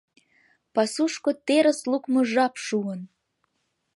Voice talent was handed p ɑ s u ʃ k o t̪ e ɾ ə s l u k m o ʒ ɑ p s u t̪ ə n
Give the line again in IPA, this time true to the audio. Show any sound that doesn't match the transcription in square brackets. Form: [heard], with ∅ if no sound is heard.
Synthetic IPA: p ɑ s u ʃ k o t̪ e ɾ ə s l u k m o ʒ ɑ p [ʃ] u [∅] ə n